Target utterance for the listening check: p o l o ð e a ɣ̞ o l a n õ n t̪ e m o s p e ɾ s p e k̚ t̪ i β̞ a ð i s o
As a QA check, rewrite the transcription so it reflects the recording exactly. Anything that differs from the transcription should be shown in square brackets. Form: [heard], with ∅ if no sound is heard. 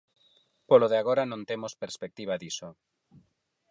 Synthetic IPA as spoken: p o l o ð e a ɣ̞ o [ɾ] a n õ n t̪ e m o s p e ɾ s p e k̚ t̪ i β̞ a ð i s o